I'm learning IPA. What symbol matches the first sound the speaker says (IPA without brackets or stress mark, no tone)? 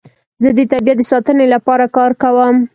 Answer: z